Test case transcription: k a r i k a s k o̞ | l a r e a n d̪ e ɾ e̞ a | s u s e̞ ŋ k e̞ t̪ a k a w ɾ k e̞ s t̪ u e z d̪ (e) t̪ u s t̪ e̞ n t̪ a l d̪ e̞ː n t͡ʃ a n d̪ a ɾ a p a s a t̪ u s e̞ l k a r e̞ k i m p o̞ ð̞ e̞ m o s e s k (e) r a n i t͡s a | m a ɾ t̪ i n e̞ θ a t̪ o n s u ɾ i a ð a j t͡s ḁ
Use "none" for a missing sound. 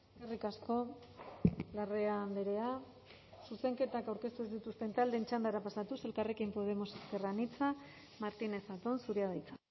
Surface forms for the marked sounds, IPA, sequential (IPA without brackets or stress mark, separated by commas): i, e